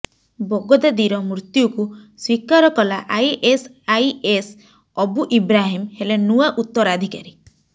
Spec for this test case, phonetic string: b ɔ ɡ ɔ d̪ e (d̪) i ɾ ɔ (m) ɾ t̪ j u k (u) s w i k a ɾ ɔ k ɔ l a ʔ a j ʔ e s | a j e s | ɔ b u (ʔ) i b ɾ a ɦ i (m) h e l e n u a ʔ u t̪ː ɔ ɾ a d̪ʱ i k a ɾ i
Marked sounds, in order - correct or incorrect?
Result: correct, correct, correct, correct, correct

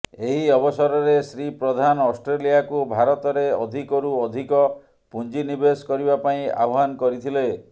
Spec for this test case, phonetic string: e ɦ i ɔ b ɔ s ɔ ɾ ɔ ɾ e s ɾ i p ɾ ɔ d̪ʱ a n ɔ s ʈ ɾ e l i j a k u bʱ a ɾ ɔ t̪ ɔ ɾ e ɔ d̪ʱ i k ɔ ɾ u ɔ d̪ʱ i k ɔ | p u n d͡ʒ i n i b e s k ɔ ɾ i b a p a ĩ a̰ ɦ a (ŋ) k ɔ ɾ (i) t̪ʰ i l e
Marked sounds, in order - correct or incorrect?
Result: incorrect: n, correct

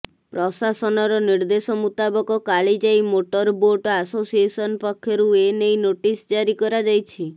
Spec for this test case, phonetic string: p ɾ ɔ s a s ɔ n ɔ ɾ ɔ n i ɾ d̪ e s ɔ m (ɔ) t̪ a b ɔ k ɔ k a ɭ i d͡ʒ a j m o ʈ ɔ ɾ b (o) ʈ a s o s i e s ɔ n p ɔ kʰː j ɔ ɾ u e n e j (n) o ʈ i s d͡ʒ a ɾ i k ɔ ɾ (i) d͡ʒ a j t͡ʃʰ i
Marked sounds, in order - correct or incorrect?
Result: incorrect: u, correct, correct, incorrect: a

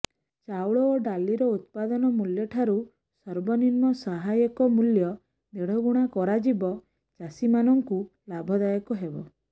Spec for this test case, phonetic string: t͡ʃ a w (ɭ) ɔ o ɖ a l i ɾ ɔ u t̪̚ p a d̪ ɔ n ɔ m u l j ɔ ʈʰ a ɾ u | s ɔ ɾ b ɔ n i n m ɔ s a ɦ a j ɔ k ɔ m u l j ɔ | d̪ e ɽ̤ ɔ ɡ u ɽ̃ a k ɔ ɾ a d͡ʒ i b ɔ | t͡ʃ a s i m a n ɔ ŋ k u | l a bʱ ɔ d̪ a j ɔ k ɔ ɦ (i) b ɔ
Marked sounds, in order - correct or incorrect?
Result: correct, incorrect: e

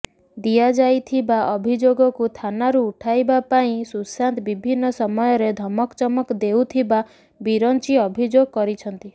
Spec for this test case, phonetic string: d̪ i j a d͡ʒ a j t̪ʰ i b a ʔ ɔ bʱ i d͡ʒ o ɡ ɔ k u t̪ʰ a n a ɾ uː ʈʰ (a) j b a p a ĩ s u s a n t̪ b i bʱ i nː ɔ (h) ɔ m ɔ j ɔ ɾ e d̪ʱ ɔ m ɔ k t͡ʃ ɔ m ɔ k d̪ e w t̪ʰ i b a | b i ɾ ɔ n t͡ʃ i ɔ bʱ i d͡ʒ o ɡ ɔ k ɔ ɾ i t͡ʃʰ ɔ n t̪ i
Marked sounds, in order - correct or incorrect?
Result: correct, incorrect: s

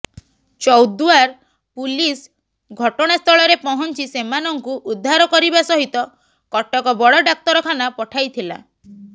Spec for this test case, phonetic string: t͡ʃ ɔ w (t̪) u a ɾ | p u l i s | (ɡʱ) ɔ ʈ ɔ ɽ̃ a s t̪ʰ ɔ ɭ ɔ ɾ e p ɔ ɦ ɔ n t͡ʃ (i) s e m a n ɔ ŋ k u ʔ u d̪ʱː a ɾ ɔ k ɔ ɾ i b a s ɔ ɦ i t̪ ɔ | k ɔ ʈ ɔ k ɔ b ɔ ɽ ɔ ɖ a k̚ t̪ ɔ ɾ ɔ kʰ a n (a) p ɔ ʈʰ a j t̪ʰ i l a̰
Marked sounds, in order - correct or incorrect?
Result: incorrect: d̪, correct, correct, correct

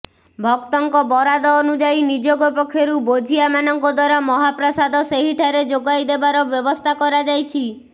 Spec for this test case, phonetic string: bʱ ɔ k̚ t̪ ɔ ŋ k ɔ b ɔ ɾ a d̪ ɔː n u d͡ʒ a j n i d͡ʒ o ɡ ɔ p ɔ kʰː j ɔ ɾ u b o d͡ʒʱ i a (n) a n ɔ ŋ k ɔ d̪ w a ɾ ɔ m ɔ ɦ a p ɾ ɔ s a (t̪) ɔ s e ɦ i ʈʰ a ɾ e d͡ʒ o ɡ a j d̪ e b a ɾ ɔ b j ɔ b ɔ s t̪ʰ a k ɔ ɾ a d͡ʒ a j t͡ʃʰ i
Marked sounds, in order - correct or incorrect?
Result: incorrect: m, incorrect: d̪

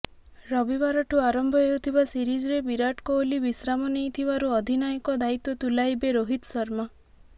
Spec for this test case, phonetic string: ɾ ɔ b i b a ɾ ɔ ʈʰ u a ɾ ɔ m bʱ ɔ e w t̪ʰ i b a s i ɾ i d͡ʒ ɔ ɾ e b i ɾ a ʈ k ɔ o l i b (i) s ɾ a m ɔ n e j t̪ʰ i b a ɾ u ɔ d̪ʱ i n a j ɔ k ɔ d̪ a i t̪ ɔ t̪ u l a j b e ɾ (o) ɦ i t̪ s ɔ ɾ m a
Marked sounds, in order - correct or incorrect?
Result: correct, correct

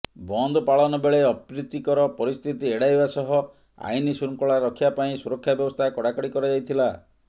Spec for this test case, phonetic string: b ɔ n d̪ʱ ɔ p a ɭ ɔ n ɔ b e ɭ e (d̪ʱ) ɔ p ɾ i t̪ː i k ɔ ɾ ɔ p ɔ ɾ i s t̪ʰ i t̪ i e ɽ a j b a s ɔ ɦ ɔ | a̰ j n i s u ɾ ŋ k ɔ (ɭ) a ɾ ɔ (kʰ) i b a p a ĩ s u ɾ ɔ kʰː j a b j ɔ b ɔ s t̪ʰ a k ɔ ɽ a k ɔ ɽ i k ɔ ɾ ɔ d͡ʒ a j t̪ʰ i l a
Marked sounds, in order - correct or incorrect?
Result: incorrect: none, correct, correct

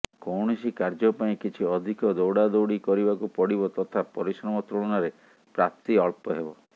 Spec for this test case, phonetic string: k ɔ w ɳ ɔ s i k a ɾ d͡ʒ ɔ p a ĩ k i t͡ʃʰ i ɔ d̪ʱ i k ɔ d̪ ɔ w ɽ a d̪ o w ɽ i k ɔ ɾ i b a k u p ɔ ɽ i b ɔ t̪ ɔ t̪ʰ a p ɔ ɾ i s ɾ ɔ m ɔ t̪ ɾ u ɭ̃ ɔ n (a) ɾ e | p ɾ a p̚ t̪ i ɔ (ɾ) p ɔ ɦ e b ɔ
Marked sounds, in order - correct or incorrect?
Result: correct, incorrect: ɭ

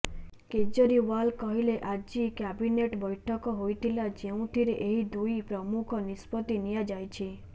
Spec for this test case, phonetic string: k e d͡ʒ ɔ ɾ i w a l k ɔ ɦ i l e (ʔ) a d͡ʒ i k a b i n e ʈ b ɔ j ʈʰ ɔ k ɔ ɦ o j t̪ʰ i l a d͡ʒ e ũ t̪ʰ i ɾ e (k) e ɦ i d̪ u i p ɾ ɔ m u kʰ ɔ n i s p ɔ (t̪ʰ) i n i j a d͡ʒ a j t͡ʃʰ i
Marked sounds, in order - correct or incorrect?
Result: correct, incorrect: ʔ, incorrect: t̪

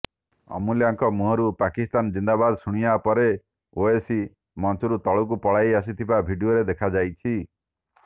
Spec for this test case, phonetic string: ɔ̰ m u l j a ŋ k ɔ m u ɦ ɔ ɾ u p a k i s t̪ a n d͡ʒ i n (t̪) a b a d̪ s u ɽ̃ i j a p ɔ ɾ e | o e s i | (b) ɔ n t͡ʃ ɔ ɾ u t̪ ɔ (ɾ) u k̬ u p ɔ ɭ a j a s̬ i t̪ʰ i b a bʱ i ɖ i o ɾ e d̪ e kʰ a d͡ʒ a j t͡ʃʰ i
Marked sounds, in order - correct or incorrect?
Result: incorrect: d̪, incorrect: m, incorrect: ɭ

